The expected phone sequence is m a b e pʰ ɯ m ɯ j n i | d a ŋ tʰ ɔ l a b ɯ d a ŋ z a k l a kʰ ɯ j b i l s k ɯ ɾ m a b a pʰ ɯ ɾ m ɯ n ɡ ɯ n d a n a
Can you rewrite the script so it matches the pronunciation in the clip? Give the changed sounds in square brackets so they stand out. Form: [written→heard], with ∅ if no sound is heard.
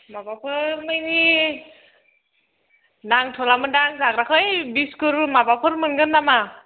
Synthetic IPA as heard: m a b [e→a] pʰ ɯ m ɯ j n i | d a ŋ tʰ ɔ l a [b→m] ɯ d a ŋ z a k [l→ɾ] a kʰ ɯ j b i [l→∅] s k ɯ ɾ m a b a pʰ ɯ ɾ m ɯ n ɡ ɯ n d a [n→m] a